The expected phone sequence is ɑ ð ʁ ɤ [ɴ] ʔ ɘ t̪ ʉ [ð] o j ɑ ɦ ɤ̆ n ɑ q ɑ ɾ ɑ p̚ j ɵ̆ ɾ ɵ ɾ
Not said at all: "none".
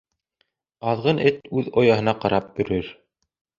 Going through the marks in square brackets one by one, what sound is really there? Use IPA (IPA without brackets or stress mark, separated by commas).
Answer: n, ð